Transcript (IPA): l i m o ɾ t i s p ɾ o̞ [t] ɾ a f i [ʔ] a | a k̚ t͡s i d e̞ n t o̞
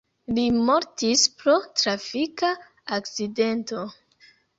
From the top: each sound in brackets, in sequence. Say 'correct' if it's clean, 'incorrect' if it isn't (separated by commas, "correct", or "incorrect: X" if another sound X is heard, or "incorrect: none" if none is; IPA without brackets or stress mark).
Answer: correct, incorrect: k